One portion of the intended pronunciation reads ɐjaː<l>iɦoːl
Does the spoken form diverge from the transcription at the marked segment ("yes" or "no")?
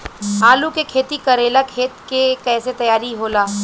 yes